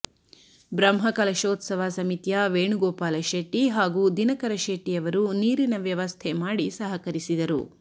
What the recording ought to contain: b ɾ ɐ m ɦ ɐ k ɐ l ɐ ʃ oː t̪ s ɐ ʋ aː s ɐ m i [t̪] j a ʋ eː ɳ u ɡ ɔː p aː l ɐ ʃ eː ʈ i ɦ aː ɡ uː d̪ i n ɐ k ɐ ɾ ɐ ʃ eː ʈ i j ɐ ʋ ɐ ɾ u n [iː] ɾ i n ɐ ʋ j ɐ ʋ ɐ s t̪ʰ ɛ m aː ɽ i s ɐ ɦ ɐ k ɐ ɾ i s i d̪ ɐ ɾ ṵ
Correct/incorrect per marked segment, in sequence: correct, correct

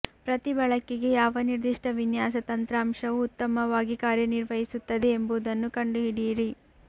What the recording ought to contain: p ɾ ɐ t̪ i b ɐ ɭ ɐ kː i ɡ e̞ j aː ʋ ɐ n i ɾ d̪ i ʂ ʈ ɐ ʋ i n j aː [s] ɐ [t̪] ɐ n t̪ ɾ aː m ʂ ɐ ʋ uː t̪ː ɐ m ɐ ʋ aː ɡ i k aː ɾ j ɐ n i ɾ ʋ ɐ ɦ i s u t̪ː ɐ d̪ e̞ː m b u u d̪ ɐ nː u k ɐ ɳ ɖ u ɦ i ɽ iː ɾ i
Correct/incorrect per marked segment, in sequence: correct, correct

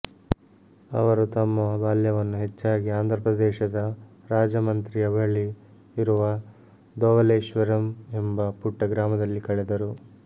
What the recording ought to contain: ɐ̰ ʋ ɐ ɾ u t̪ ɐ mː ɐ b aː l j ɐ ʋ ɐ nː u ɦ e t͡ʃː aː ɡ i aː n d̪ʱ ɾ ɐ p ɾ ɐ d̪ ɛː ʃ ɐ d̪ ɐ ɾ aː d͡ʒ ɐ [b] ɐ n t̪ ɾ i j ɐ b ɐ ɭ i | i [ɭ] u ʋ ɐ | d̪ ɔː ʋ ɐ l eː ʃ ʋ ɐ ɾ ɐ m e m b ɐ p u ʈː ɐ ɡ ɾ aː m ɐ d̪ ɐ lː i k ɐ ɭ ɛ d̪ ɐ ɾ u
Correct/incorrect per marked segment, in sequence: incorrect: m, incorrect: ɾ

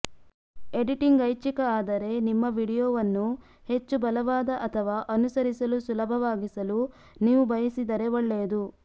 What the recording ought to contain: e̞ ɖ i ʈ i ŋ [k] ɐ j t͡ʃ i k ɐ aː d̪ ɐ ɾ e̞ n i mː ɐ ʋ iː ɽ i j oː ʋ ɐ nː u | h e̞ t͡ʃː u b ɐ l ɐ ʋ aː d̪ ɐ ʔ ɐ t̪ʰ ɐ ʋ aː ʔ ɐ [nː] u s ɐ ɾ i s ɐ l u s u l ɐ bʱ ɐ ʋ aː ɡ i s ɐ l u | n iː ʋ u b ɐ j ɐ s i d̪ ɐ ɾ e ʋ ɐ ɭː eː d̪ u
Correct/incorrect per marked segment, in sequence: incorrect: ɡ, incorrect: n

